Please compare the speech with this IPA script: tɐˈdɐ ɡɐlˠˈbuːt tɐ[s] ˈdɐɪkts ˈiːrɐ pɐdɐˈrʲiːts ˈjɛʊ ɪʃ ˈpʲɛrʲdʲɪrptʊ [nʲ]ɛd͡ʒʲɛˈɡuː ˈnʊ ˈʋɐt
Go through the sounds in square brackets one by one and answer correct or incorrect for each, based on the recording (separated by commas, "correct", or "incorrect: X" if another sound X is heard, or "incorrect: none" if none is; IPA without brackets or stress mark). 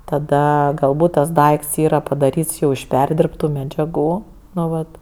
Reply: correct, incorrect: mʲ